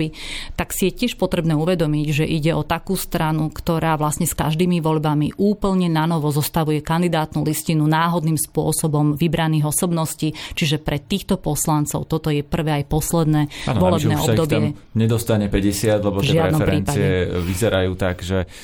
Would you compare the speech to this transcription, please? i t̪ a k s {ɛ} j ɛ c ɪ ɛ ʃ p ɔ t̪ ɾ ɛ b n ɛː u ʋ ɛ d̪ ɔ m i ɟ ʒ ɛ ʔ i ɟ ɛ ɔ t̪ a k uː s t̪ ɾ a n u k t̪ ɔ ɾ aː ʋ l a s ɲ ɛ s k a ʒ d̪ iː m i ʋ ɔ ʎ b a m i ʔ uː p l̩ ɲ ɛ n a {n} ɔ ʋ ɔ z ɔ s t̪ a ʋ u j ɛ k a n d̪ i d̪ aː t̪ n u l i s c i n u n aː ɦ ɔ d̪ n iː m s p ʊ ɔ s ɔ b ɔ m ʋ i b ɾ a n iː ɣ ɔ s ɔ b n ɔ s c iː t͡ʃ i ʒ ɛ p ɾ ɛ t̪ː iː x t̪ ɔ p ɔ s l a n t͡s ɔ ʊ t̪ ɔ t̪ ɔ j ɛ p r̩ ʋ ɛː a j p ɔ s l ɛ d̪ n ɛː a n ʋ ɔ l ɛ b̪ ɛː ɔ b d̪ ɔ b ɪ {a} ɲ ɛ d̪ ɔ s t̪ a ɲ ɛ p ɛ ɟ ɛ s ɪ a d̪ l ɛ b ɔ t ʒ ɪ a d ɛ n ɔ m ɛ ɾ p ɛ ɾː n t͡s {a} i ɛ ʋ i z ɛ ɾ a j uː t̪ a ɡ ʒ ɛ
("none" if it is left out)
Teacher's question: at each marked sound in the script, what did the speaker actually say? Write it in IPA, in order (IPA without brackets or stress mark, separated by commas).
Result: i, n, ɛ, a